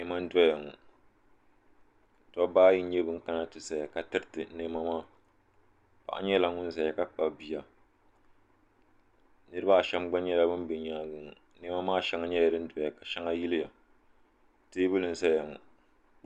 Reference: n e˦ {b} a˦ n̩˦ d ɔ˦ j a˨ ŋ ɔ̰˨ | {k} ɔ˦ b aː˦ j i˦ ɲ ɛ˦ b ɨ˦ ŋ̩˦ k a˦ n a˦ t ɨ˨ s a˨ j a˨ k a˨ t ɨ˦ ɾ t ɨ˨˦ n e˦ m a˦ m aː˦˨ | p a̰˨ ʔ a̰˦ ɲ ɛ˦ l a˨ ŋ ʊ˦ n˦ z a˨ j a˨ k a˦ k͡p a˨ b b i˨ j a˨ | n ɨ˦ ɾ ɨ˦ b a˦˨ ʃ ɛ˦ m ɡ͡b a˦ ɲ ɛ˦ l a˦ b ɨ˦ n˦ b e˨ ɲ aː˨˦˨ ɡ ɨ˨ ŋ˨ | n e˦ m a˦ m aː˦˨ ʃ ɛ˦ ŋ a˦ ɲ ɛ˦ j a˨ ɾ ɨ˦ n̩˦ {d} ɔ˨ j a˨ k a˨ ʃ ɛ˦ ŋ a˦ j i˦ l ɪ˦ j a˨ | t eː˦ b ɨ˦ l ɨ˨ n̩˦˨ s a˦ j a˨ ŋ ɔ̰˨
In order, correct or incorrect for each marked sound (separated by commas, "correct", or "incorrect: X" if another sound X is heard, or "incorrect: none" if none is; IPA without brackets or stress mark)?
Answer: incorrect: m, incorrect: t, correct